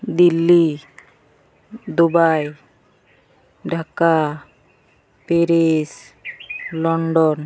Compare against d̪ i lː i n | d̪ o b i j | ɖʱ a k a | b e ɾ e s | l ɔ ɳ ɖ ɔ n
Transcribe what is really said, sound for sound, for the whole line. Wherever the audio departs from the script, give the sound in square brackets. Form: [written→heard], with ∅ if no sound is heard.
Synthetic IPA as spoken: d̪ i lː i [n→∅] | d̪ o b [i→a] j | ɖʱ a k a | [b→p] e ɾ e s | l ɔ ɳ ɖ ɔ n